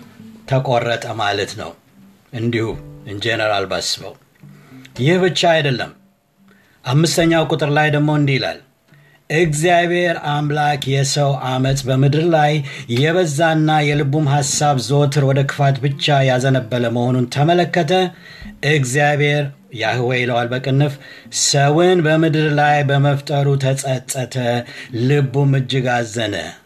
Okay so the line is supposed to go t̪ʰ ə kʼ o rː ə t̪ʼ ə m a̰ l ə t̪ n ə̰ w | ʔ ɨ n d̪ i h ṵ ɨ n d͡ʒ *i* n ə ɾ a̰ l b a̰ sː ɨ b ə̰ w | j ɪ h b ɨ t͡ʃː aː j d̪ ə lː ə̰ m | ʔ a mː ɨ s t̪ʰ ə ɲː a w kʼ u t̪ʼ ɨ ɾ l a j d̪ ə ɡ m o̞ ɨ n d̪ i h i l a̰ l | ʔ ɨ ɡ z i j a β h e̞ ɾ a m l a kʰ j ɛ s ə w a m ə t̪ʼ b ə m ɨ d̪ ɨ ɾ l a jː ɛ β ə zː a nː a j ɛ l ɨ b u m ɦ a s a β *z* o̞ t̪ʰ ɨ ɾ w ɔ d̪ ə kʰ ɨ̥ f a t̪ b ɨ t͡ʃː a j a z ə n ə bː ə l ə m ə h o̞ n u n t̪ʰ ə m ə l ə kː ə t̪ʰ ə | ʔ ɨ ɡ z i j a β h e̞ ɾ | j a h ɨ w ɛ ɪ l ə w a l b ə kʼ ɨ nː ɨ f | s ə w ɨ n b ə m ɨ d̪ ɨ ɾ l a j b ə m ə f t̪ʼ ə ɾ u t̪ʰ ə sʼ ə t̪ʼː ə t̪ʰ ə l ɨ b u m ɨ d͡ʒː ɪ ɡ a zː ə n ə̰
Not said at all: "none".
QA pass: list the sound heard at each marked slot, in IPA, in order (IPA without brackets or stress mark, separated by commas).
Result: e, z